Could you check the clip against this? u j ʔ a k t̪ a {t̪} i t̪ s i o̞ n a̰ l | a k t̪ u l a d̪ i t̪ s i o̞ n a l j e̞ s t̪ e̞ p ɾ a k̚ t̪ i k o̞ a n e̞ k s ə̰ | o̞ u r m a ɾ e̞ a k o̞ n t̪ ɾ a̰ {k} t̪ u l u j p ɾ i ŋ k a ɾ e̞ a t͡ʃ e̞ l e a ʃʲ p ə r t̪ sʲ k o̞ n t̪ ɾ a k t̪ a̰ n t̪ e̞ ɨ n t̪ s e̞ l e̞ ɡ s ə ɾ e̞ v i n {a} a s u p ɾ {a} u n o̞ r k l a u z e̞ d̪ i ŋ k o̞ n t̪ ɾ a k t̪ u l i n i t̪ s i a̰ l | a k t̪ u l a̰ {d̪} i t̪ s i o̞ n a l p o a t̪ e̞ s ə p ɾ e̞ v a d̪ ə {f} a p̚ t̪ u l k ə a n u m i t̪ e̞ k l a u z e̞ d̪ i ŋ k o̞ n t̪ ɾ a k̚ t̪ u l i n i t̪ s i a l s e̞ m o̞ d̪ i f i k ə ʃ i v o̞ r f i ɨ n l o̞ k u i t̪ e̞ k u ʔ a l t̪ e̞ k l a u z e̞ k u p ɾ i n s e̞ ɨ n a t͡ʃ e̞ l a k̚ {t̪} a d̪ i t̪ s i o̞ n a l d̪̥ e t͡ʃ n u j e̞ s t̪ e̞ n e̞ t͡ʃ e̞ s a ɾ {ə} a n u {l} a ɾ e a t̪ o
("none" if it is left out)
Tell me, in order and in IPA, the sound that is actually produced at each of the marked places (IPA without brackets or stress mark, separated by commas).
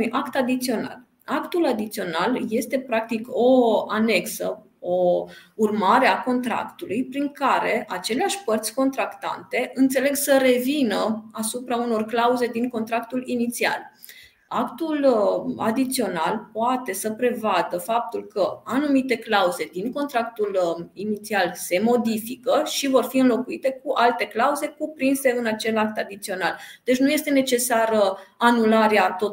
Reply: d̪, k, ə, a, d̪, f, t̪, ə, l